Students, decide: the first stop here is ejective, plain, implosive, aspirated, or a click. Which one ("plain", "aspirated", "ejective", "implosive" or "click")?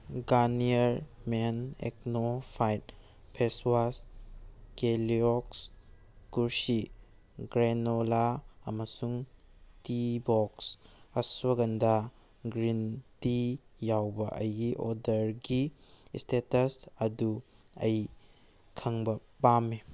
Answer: plain